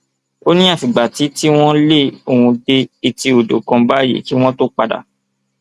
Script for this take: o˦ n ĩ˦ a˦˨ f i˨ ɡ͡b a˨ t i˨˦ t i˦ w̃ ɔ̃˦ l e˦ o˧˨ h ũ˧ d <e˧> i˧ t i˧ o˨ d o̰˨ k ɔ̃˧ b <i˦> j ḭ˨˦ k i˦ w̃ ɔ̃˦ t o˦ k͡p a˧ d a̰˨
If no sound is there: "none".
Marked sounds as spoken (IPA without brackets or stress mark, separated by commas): e˧, a˦